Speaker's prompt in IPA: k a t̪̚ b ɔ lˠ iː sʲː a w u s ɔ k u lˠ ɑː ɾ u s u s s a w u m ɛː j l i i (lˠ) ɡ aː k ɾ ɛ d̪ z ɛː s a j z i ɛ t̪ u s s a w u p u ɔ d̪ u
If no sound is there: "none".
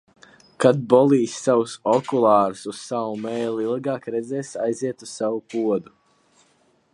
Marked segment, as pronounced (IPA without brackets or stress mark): lˠ